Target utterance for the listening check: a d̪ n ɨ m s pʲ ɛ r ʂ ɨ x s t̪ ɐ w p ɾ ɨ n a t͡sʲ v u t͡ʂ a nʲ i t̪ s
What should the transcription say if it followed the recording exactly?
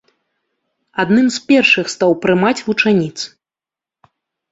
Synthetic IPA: a d̪ n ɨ m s pʲ ɛ r ʂ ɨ x s t̪ a w p ɾ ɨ m a t͡sʲ v u t͡ʂ a nʲ i t̪ s